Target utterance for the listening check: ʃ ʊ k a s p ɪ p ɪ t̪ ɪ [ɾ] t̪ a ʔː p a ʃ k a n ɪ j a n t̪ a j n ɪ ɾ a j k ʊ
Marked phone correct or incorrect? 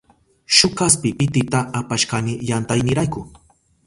incorrect